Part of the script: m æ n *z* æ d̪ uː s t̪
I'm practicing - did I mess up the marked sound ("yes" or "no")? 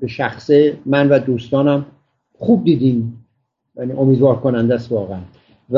yes